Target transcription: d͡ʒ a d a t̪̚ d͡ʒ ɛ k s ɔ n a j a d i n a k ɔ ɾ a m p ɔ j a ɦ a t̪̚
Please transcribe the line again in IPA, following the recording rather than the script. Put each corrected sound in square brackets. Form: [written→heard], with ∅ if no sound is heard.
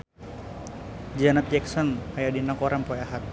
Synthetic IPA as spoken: d͡ʒ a [d→n] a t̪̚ d͡ʒ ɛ k s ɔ n a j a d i n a k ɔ ɾ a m p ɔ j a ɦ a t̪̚